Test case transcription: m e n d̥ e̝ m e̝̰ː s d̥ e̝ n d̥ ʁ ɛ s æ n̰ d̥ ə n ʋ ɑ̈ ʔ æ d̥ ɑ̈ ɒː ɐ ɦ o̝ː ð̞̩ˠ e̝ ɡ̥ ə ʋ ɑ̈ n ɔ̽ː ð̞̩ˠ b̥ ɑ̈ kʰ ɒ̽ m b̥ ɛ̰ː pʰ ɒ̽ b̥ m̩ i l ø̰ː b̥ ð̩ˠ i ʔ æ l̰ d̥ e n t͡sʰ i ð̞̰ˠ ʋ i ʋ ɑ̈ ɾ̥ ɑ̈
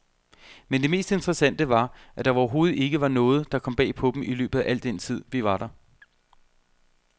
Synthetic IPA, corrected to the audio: m e n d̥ e̝ m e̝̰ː s d̥ e̝ n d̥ ʁ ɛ s æ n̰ d̥ ə ʋ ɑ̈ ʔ æ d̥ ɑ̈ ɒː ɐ ɦ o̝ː ð̞̩ˠ e̝ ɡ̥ ə ʋ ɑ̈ n ɔ̽ː ð̞̩ˠ d̥ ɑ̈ kʰ ɒ̽ m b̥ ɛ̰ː pʰ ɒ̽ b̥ m̩ i l ø̰ː b̥ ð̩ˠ æ ʔ æ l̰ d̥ e n t͡sʰ i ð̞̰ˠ ʋ i ʋ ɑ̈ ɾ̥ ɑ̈